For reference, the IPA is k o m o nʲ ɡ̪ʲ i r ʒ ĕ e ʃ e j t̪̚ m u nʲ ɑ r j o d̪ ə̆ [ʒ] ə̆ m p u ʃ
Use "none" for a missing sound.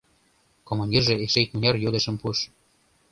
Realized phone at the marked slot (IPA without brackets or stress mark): ʃ